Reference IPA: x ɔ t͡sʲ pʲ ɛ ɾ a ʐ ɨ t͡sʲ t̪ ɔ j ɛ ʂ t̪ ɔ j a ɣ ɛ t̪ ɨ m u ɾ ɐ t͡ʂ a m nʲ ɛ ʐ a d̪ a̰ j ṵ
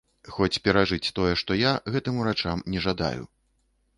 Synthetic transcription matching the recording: x ɔ t͡sʲ pʲ ɛ ɾ a ʐ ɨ t͡sʲ t̪ ɔ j ɛ ʂ t̪ ɔ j a ɣ ɛ t̪ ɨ m u ɾ a t͡ʂ a m nʲ ɛ ʐ a d̪ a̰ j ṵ